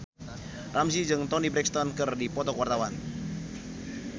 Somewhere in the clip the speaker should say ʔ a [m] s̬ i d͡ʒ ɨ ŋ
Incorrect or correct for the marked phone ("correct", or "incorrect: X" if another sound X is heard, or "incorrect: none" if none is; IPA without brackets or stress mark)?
correct